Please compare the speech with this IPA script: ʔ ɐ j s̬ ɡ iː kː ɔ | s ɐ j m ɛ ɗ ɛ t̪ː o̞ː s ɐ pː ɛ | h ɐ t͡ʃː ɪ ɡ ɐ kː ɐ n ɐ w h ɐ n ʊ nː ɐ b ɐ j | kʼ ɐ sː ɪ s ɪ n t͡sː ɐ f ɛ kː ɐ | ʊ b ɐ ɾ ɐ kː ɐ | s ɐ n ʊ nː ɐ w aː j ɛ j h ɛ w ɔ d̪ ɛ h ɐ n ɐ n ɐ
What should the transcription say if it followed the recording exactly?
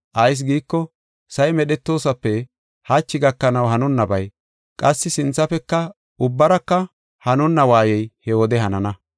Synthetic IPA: ʔ ɐ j s̬ ɡ iː kː ɔ | s ɐ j m ɛ ɗ ɛ t̪ː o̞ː s ɐ pː ɛ | h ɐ t͡ʃː ɪ ɡ ɐ kː ɐ n ɐ w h ɐ n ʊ nː ɐ b ɐ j | kʼ ɐ sː ɪ s ɪ n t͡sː ɐ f ɛ kː ɐ | ʊ bː ɐ ɾ ɐ kː ɐ | h ɐ n ʊ nː ɐ w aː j ɛ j h ɛ w ɔ d̪ ɛ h ɐ n ɐ n ɐ